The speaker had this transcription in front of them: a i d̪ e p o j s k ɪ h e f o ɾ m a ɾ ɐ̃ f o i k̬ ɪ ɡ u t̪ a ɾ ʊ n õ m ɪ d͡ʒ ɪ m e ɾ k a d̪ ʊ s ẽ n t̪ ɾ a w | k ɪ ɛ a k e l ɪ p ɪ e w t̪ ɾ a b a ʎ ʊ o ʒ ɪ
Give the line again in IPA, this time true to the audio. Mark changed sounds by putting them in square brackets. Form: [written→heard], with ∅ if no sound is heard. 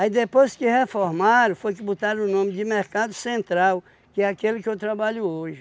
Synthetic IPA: a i d̪ e p o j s k ɪ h e f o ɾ m a ɾ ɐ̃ f o [i→j] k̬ ɪ [ɡ→b] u t̪ a ɾ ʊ n õ m ɪ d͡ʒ ɪ m e ɾ k a d̪ ʊ s ẽ n t̪ ɾ a w | k ɪ ɛ a k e l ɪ [p→k] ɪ e w t̪ ɾ a b a ʎ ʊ o ʒ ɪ